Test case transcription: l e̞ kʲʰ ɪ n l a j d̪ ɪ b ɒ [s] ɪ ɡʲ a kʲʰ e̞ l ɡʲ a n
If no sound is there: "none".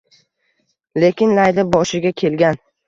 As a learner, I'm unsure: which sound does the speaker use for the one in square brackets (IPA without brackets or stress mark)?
ʃ